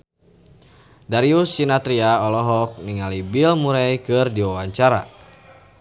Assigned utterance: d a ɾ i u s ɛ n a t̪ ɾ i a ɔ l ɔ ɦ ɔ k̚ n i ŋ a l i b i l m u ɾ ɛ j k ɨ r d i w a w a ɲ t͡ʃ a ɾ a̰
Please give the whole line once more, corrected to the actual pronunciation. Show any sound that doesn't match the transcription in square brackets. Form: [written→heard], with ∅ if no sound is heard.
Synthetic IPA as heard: d a ɾ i u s [ɛ→i] n a t̪ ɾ i a ɔ l ɔ ɦ ɔ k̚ n i ŋ a l i b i l m u ɾ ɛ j k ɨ r d i w a w a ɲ t͡ʃ a ɾ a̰